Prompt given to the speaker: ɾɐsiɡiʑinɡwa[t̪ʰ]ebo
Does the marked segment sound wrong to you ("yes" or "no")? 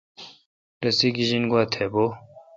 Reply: no